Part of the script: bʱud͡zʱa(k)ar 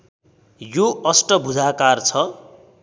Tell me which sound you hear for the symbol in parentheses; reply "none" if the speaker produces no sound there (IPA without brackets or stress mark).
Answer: k